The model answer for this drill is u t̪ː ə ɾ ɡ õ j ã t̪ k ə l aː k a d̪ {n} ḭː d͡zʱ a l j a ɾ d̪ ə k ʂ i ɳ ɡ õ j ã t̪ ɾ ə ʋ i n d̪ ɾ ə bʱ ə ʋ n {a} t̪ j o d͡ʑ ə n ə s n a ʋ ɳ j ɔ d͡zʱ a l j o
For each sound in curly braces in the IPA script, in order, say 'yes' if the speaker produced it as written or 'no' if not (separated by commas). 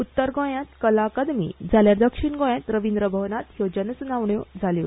no, yes